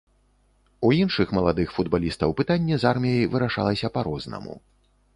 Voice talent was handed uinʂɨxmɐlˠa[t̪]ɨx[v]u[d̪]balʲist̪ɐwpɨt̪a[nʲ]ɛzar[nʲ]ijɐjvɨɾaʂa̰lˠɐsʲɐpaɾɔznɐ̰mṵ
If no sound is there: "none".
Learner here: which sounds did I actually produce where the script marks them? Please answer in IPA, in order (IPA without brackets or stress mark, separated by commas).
d̪, f, d̪, nʲː, mʲ